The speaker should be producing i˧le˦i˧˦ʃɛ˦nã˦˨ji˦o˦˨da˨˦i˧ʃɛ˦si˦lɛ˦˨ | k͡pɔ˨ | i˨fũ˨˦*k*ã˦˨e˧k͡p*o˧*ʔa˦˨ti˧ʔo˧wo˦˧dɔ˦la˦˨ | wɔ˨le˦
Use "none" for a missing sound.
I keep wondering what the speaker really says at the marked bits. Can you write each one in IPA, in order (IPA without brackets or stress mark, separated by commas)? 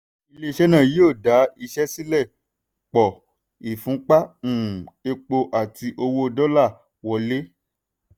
k͡p, o˧